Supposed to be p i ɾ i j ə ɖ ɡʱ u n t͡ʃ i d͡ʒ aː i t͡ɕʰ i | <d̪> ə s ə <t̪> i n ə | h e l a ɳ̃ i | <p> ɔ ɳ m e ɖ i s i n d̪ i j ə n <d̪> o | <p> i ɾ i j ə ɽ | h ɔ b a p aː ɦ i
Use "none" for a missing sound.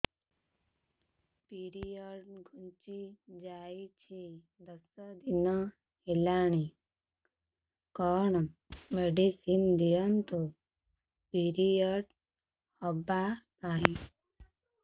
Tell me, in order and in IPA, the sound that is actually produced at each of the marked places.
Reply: d̪, d̪, k, t̪, p

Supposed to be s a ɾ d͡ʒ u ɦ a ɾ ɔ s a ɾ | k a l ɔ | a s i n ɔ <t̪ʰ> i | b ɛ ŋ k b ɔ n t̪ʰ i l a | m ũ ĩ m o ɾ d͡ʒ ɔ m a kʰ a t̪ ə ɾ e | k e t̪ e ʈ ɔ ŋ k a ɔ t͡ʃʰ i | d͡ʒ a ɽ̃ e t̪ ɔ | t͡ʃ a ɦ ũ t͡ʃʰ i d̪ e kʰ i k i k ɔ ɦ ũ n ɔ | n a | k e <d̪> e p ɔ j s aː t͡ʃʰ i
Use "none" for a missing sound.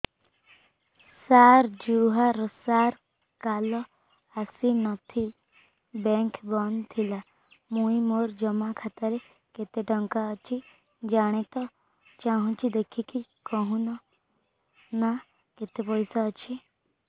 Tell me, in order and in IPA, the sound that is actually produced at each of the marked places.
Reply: t̪ʰ, t̪

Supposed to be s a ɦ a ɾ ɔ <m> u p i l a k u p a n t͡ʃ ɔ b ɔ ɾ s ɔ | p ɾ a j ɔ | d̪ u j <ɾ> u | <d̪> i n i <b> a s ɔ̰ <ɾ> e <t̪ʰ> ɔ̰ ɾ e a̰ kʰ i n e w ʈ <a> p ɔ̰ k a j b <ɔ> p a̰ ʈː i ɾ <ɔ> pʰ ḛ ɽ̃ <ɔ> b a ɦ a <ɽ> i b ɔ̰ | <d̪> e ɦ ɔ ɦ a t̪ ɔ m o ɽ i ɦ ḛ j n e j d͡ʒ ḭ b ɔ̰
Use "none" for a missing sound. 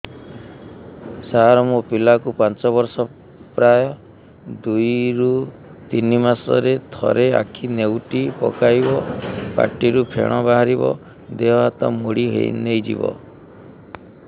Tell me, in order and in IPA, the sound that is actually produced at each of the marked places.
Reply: m, ɾ, t̪, m, ɾ, t̪ʰ, i, ɔ, u, ɔ, ɾ, d̪

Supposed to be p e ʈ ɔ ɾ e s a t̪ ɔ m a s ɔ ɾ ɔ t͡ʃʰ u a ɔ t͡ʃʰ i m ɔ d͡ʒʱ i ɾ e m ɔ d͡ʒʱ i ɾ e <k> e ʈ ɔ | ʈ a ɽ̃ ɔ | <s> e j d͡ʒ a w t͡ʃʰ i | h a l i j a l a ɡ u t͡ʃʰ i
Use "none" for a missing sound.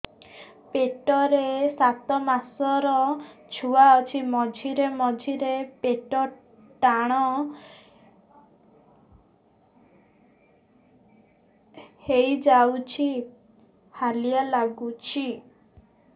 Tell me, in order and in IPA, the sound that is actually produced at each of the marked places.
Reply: p, h

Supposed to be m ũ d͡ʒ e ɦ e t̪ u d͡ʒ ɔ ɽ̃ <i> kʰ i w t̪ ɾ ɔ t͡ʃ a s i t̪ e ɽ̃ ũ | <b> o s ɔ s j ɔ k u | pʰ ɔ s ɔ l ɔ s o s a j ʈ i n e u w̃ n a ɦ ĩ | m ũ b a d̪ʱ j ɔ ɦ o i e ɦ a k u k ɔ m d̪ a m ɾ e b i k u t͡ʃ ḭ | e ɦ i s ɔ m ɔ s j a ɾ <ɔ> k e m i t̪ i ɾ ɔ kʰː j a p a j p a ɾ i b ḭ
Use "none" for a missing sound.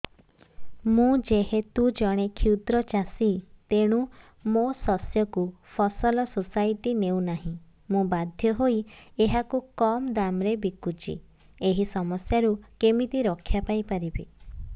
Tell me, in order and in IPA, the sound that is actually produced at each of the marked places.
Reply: e, m, u

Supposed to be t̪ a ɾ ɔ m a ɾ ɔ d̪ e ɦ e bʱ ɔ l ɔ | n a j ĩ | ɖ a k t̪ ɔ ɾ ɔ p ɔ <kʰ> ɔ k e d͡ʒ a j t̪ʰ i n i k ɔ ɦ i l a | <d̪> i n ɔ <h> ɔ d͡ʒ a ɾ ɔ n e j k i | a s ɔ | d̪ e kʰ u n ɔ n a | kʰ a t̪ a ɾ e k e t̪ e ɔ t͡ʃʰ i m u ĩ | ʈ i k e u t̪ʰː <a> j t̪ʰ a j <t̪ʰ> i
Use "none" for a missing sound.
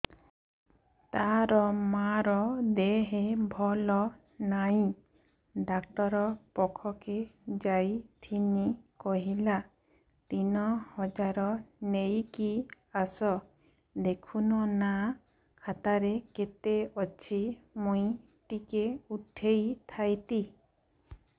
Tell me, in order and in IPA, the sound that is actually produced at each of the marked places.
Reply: kʰ, t̪, h, e, t̪

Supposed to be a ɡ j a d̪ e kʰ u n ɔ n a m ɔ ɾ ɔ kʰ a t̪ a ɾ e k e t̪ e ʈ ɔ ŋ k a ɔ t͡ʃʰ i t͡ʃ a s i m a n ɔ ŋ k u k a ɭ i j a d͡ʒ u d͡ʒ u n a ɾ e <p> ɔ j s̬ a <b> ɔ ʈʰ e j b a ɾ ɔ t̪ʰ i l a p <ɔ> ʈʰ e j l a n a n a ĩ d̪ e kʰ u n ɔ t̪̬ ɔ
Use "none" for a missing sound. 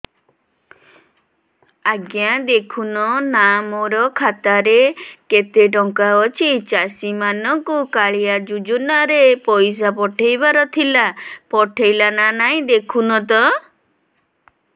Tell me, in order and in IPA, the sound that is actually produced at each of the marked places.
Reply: p, p, ɔ

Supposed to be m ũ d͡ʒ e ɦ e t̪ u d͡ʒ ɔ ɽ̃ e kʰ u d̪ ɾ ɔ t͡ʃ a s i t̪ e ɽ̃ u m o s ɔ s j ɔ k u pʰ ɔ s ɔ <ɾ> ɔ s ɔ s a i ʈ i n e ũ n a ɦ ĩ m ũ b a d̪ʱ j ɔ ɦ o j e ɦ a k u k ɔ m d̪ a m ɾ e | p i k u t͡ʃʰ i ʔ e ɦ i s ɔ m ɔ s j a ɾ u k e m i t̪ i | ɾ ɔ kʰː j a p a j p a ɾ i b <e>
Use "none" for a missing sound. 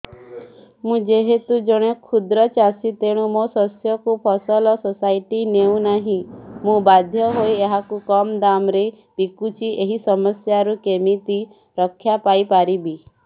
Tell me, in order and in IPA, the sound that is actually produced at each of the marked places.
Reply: l, i

